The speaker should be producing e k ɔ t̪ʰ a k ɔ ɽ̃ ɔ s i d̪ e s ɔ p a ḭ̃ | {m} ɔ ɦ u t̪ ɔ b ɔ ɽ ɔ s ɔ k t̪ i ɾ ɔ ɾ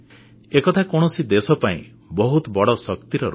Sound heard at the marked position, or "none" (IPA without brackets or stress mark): b